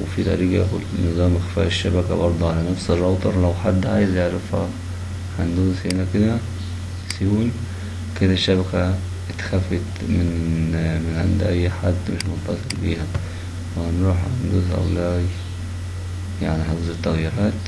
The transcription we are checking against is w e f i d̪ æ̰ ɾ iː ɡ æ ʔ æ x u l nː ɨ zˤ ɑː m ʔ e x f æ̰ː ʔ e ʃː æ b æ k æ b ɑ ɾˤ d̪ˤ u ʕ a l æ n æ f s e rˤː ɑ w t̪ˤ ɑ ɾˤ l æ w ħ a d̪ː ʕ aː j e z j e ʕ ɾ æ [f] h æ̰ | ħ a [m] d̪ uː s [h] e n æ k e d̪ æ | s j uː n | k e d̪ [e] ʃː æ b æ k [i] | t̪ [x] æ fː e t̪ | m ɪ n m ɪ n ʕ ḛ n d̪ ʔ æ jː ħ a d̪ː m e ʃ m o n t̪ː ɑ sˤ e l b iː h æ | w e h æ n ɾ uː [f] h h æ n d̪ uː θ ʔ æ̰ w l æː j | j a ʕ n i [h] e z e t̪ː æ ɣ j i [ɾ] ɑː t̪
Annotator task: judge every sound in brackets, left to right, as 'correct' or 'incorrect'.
correct, incorrect: n, correct, incorrect: æ, incorrect: æ, correct, incorrect: ħ, incorrect: ħ, correct

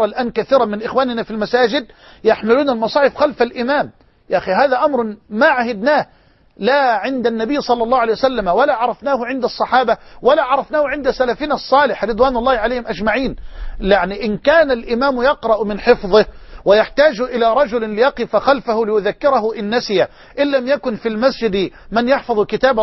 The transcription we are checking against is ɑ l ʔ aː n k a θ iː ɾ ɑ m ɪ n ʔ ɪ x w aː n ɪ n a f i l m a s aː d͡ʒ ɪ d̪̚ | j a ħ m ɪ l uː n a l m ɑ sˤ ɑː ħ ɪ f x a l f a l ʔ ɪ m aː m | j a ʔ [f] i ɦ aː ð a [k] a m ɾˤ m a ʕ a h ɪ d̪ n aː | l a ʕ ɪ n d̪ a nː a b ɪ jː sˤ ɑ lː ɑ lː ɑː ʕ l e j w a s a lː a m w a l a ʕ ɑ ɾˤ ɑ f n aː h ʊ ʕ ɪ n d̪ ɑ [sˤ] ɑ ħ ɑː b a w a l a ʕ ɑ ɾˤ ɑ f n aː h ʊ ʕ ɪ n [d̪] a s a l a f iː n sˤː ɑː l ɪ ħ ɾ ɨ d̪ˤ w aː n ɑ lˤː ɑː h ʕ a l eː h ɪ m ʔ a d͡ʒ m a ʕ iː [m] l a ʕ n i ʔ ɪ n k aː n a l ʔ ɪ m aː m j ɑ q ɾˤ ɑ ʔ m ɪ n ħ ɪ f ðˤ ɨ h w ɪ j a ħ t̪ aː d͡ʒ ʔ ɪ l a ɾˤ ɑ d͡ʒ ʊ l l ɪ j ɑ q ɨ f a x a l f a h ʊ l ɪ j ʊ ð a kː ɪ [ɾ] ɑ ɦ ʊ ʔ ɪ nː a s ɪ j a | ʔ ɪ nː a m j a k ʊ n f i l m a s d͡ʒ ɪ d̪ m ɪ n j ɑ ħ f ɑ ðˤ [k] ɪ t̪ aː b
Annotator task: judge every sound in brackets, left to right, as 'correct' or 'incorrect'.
incorrect: x, incorrect: ʔ, incorrect: sˤː, correct, incorrect: n, correct, correct

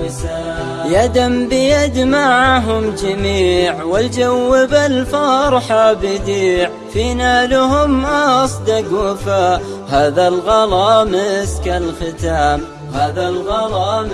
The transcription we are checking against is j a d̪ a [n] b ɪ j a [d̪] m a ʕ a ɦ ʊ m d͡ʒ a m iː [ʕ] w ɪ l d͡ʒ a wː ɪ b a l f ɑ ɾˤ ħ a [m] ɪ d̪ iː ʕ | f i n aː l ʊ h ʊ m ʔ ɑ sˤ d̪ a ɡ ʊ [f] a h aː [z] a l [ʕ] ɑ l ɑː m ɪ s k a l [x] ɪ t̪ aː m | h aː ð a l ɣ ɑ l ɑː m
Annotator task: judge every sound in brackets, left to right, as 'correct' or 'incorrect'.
incorrect: m, correct, correct, incorrect: b, correct, incorrect: ð, incorrect: ɣ, correct

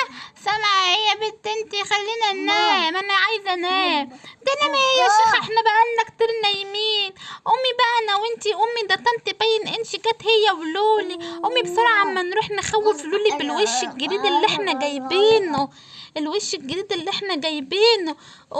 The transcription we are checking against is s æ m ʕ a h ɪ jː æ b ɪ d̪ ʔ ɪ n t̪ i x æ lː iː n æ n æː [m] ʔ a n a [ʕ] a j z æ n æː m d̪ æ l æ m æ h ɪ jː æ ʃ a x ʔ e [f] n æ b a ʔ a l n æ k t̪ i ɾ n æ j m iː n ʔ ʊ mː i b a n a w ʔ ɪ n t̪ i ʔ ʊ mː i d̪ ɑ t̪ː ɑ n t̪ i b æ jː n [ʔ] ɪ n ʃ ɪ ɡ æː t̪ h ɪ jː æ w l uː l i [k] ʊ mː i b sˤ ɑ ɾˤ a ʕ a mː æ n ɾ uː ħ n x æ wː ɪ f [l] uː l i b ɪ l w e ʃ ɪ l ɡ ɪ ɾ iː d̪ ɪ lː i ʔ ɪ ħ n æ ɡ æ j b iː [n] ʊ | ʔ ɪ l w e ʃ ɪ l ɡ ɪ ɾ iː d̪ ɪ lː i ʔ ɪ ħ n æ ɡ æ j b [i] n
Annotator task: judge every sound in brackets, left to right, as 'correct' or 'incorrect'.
correct, correct, incorrect: ħ, correct, incorrect: ʔ, correct, correct, incorrect: iː

